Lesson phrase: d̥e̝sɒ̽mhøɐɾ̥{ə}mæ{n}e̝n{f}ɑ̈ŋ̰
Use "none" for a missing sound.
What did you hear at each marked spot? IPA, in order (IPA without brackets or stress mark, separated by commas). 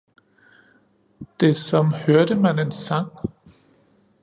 ə, n, s